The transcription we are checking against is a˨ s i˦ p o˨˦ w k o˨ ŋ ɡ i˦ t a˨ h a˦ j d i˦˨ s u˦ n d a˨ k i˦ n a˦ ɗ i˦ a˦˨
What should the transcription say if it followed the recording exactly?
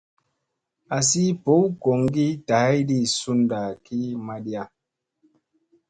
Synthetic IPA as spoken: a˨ s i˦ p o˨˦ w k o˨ ŋ ɡ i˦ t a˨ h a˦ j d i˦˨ s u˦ n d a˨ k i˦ m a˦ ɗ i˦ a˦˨